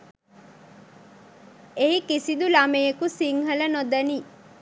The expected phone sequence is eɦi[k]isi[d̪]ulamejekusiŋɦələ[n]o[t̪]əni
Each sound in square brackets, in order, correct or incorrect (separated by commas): correct, correct, correct, incorrect